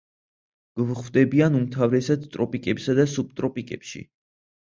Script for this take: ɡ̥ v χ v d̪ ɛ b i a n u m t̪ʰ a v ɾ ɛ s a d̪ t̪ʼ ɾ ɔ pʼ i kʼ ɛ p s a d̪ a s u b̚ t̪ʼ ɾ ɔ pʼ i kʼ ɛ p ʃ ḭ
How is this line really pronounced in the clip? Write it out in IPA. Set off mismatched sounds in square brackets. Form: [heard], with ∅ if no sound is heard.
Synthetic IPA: ɡ̥ v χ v d̪ ɛ b i a n u m t̪ʰ a v ɾ ɛ s a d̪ t̪ʼ ɾ ɔ pʼ i kʼ ɛ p s a d̪ a s u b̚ t̪ʼ ɾ ɔ pʼ i kʼ ɛ p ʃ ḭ